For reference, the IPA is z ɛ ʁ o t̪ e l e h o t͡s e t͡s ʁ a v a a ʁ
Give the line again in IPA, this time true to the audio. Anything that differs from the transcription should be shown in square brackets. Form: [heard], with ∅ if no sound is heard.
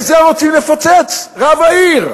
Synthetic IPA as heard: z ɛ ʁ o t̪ [i] l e [f] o t͡s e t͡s ʁ a v a [i] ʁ